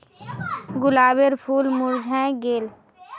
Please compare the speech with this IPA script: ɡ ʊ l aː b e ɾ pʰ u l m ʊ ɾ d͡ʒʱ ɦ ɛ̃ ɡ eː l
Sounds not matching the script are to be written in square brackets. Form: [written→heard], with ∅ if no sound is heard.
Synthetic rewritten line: ɡ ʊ l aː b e ɾ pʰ [u→uː] l m ʊ ɾ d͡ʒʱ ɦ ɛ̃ ɡ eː l